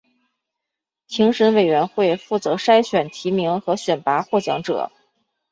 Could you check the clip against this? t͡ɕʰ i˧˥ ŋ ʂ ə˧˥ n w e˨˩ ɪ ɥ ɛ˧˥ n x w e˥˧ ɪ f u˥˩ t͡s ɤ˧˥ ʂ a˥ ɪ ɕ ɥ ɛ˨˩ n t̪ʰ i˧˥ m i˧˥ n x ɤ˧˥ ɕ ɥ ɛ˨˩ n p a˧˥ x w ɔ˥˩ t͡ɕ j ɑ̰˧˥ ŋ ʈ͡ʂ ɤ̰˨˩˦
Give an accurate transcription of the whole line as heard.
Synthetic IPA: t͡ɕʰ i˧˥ ŋ ʂ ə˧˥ n w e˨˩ ɪ ɥ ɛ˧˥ n x w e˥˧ ɪ f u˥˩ t͡s ɤ˧˥ ʂ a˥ ɪ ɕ ɥ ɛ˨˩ n t̪ʰ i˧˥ m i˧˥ ŋ x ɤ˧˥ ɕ ɥ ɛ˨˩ n p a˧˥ x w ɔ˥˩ t͡ɕ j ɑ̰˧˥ ŋ ʈ͡ʂ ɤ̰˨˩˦

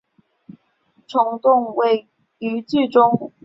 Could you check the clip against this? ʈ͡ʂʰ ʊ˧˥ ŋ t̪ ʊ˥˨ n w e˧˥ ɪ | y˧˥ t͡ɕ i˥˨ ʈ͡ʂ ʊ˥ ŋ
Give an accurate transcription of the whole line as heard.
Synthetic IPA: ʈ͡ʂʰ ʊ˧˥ ŋ t̪ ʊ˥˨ ŋ w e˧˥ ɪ | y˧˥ t͡ɕ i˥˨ ʈ͡ʂ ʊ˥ ŋ

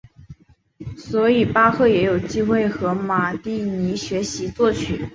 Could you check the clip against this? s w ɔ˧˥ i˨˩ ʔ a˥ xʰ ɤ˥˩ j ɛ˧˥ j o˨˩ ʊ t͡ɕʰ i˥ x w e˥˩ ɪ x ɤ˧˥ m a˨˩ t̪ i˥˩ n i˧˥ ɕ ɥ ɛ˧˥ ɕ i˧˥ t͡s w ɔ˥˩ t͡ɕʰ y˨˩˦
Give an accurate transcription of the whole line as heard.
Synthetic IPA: s w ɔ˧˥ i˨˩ p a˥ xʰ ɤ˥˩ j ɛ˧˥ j o˨˩ ʊ t͡ɕ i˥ x w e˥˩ ɪ x ɤ˧˥ m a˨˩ t̪ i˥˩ n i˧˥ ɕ ɥ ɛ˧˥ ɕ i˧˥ t͡s w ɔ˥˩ t͡ɕʰ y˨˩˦

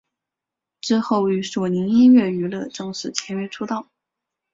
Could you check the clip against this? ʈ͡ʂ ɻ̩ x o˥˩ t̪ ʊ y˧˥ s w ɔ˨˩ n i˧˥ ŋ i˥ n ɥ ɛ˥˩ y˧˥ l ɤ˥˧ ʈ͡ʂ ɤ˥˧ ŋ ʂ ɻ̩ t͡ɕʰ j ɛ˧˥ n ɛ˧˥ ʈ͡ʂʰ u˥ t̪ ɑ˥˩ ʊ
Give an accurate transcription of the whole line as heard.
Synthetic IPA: ʈ͡ʂ ɻ̩ x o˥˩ ʊ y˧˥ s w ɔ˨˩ n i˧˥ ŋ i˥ n ɥ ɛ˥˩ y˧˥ l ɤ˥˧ ʈ͡ʂ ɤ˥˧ ŋ ʂ ɻ̩ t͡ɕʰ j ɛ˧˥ n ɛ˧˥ ʈ͡ʂʰ u˥ t̪ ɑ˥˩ ʊ

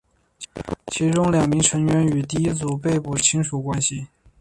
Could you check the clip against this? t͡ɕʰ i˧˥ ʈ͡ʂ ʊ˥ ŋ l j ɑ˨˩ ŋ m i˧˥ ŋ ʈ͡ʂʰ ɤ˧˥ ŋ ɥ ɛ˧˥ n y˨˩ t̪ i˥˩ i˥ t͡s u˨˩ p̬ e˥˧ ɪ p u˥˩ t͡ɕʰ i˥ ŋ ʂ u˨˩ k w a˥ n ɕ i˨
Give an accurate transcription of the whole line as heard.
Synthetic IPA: t͡ɕʰ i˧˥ ʈ͡ʂ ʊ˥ ŋ l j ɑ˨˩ ŋ m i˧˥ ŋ ʈ͡ʂʰ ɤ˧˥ ŋ ɥ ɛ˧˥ n y˨˩ t̪ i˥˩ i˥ t͡s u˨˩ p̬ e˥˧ ɪ p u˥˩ t͡ɕʰ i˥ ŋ ʂ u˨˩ k w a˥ n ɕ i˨

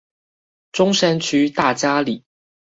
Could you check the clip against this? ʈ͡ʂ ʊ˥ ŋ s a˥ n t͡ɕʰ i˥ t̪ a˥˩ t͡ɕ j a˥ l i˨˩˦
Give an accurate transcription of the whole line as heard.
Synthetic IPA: ʈ͡ʂ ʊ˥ ŋ ʂ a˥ n t͡ɕʰ y˥ t̪ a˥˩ t͡ɕ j a˥ l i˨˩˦

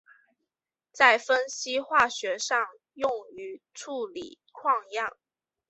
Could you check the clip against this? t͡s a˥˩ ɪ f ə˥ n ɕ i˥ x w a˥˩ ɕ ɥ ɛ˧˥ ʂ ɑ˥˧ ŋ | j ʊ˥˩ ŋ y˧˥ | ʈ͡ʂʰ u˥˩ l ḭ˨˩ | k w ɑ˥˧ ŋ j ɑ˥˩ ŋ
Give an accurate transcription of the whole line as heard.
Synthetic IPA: t͡s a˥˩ ɪ f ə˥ n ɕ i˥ x w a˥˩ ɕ ɥ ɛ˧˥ ʂ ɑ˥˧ ŋ | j ʊ˥˩ ŋ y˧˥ | ʈ͡ʂʰ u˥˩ l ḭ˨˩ | kʰ w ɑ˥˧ ŋ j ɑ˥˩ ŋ

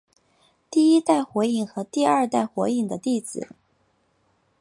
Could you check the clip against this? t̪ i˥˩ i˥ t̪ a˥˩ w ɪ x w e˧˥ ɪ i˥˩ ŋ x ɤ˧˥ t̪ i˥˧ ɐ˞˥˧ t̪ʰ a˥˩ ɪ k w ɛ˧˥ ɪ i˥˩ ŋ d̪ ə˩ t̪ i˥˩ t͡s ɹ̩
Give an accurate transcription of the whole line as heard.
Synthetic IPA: t̪ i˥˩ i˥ t̪ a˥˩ ɪ x w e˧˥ ɪ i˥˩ ŋ x ɤ˧˥ t̪ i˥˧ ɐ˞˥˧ t̪ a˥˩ ɪ x w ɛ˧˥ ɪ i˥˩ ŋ d̪ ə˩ t̪ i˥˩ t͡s ɹ̩

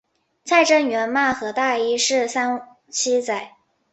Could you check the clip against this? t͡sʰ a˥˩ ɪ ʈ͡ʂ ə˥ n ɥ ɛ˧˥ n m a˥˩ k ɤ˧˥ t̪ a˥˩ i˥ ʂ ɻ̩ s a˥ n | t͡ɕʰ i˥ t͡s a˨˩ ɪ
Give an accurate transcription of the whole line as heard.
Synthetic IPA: t͡sʰ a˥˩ ɪ ʈ͡ʂ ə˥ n ɥ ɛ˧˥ n m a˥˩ x ɤ˧˥ t̪ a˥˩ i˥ ʂ ɻ̩ s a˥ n | t͡ɕʰ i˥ t͡s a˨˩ ɪ

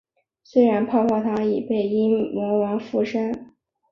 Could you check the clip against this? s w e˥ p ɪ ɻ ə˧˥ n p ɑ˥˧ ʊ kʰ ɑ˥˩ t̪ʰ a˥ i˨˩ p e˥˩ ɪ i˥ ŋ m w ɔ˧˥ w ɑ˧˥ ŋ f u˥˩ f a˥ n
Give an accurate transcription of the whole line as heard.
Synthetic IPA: s w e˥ ɪ ɻ a˧˥ n pʰ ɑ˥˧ ʊ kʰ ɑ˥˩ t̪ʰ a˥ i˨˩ p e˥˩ ɪ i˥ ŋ m w ɔ˧˥ w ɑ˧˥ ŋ f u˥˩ ʂ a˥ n

